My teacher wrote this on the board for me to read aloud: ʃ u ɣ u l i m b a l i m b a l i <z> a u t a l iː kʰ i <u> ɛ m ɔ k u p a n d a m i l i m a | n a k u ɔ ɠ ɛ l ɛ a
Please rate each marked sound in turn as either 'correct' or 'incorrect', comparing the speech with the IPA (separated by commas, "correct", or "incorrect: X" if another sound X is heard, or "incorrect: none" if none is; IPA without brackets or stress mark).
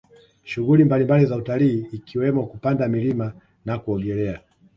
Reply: correct, incorrect: w